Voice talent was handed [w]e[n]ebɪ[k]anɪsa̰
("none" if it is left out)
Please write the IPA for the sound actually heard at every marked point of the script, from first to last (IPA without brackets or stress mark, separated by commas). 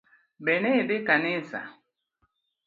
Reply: b, n, k